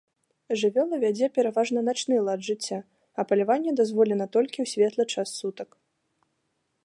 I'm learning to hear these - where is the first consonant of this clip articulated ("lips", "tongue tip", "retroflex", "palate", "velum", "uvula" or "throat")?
retroflex